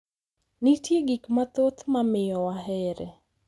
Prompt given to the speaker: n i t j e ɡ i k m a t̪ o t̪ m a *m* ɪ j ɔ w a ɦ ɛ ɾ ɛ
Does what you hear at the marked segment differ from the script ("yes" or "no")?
no